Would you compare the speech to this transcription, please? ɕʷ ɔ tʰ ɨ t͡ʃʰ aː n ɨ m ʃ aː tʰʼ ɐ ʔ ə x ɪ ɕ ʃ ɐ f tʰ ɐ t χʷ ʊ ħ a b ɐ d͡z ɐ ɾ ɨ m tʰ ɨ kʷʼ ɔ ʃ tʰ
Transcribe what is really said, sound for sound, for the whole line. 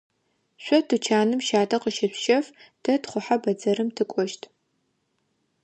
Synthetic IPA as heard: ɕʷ ɔ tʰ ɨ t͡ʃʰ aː n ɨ m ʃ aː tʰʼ ɐ q ə ʃ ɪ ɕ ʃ ɐ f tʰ ɐ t χʷ ʊ ħ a b ɐ d͡z ɐ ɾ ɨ m tʰ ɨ kʷʼ ɔ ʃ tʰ